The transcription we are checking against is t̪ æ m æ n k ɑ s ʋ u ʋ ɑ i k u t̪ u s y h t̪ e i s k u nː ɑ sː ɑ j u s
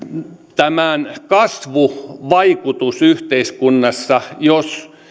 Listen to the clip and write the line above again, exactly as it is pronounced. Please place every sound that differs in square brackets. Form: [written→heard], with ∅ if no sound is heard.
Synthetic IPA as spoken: t̪ æ m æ n k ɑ s ʋ u ʋ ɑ i k u t̪ u s y h t̪ e i s k u nː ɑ sː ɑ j [u→o] s

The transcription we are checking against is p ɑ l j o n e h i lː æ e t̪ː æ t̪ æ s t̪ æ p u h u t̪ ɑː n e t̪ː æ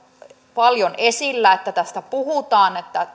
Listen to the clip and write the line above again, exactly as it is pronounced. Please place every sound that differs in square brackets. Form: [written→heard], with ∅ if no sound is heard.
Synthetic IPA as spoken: p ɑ l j o n e [h→s] i lː æ e t̪ː æ t̪ æ s t̪ æ p u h u t̪ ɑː n e t̪ː æ

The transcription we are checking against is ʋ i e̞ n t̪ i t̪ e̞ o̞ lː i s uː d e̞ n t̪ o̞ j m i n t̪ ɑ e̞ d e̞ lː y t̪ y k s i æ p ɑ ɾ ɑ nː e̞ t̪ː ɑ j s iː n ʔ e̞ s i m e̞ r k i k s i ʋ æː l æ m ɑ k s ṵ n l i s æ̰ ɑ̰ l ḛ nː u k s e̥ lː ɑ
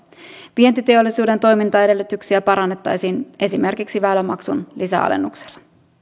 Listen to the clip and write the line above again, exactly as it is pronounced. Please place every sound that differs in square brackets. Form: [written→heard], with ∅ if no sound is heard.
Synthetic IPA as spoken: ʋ i e̞ n t̪ i t̪ e̞ o̞ lː i s uː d e̞ n t̪ o̞ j m i n t̪ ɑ e̞ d e̞ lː y t̪ y k s i æ p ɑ ɾ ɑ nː e̞ t̪ː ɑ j s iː n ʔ e̞ s i m e̞ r k i k s i ʋ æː l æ m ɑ k s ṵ n l i s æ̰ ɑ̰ l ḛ nː u k s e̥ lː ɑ

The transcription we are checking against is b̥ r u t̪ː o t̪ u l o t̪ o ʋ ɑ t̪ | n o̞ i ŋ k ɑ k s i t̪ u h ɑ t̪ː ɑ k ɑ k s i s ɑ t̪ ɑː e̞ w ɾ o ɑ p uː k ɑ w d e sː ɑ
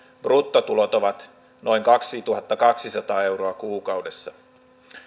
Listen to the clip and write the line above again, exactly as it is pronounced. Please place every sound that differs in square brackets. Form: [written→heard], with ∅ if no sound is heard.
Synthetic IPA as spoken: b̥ r u t̪ː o t̪ u l o t̪ o ʋ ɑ t̪ | n o̞ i ŋ k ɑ k s i t̪ u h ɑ t̪ː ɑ k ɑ k s i s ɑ t̪ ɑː e̞ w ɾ o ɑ [p→k] uː k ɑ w d e sː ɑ

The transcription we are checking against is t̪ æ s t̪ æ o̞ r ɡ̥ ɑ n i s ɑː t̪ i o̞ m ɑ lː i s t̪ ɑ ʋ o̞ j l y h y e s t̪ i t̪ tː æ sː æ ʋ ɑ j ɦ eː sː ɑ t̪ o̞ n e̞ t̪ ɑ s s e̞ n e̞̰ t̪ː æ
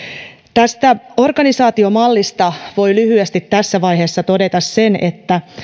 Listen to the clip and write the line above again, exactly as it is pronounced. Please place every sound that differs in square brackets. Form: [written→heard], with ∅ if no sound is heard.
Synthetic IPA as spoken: t̪ æ s t̪ æ o̞ r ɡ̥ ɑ n i s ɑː t̪ i o̞ m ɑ lː i s t̪ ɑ ʋ o̞ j l y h y e s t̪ i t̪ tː æ sː æ ʋ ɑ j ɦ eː sː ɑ t̪ o̞ [n→d] e̞ t̪ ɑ s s e̞ n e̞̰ t̪ː æ

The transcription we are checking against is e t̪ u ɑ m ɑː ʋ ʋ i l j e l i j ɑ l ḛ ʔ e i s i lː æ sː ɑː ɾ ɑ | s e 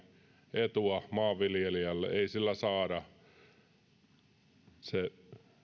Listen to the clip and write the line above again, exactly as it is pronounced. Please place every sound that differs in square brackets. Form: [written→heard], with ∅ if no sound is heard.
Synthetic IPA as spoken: e t̪ u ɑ m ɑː ʋ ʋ i l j e l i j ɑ [l→lː] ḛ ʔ e i s i lː æ [sː→s] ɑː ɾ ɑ | s e

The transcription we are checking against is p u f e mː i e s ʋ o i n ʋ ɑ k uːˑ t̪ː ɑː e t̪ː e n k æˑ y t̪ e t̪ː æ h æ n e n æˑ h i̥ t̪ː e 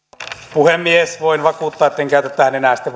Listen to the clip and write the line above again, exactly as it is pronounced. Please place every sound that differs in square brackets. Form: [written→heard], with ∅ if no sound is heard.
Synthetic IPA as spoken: p u [f→h] e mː i e s ʋ o i n ʋ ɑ k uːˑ t̪ː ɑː e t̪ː e [n→ŋ] k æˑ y t̪ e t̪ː æ h æ n e n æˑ [h→s] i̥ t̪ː e

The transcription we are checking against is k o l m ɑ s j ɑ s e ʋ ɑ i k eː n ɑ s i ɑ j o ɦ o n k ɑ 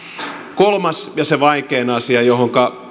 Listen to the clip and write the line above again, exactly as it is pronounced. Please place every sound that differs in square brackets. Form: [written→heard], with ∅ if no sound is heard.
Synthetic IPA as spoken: k o l m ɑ s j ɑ s e ʋ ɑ i k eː n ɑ s i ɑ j o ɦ o [n→ŋ] k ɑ

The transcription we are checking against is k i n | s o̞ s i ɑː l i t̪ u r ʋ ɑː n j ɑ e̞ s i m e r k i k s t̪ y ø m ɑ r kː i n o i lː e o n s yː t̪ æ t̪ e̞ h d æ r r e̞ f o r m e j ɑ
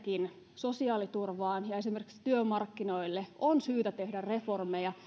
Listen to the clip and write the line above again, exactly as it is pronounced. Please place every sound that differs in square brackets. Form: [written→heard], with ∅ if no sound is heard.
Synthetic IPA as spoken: k i n | s o̞ s i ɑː l i t̪ u r ʋ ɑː n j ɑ e̞ s i m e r k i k s t̪ y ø m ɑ r kː i n o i lː e o n s yː t̪ æ t̪ e̞ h d æ r r e̞ f o r m e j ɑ

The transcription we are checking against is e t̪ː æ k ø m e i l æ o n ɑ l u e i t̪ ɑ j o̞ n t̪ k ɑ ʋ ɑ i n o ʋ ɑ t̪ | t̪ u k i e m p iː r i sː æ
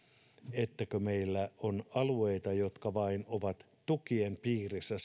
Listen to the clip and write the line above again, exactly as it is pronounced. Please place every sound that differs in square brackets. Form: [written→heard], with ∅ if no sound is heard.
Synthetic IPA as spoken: e t̪ː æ k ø m e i [l→lː] æ o n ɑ l u e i t̪ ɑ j o̞ [n→∅] t̪ k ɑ ʋ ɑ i n o ʋ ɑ t̪ | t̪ u k i e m p iː r i sː æ

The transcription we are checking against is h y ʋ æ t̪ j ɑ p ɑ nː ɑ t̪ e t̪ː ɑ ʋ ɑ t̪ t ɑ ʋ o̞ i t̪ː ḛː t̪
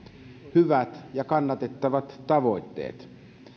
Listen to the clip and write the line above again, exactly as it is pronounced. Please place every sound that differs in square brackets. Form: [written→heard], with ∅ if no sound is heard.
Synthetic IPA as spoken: h y ʋ æ t̪ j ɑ [p→k] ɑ nː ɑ t̪ e t̪ː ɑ ʋ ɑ t̪ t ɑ ʋ o̞ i t̪ː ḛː t̪

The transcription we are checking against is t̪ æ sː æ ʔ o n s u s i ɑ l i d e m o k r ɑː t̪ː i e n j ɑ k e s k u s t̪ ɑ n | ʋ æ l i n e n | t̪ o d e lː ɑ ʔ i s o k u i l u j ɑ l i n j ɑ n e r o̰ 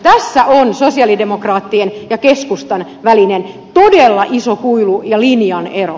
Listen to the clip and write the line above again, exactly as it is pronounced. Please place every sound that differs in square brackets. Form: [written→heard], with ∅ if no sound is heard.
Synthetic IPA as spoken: t̪ æ sː æ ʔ o n s [u→o] s i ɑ l i d e m o k r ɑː t̪ː i e n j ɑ k e s k u s t̪ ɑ n | ʋ æ l i n e n | t̪ o d e lː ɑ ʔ i s o k u i l u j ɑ l i n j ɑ n e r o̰

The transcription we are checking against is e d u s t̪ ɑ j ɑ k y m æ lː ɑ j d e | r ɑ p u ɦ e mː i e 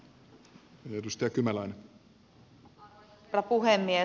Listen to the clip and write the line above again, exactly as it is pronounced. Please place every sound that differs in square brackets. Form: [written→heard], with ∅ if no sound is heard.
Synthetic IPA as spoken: e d u s t̪ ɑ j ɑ k y m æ [lː→l] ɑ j [d→n] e | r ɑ p u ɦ e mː i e

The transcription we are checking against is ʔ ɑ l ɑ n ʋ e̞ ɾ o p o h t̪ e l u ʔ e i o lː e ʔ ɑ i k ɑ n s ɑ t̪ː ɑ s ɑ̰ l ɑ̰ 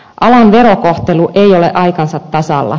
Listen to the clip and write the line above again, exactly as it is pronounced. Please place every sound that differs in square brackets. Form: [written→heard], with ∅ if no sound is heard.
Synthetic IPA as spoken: ʔ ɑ l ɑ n ʋ e̞ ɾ o [p→k] o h t̪ e l u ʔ e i o [lː→l] e ʔ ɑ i k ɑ n s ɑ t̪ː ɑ s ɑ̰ [l→lː] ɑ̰

